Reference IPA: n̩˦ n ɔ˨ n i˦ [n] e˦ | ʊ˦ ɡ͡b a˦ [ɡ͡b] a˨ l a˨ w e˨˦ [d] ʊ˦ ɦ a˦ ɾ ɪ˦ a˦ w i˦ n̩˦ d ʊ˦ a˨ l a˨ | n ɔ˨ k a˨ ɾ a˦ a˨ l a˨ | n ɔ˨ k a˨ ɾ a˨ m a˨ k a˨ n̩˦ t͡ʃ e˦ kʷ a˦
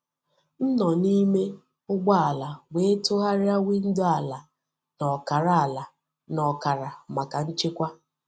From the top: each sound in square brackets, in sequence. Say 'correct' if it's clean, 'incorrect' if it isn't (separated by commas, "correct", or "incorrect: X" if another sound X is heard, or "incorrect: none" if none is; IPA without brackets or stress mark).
incorrect: m, incorrect: none, incorrect: t